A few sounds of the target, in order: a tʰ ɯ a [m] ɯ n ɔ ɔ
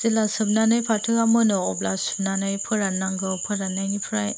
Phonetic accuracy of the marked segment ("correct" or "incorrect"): correct